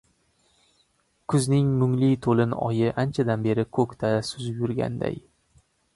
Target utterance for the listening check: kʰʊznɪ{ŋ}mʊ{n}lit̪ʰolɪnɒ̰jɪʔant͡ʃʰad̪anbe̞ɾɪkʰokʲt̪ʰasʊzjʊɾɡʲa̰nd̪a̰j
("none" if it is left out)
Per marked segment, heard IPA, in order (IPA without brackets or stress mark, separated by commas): ŋ, ŋ